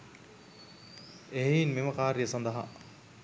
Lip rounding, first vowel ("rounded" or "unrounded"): unrounded